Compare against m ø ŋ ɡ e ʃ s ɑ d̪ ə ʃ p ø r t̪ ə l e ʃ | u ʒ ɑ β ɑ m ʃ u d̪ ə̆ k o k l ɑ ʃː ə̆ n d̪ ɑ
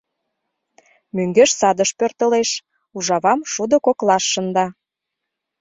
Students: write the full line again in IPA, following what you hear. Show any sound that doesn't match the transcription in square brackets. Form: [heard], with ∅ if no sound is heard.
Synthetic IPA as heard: m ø ŋ ɡ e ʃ s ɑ d̪ ə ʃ p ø r t̪ ə l e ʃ | u ʒ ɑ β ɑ m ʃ u d̪ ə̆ k o k l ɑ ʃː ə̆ n d̪ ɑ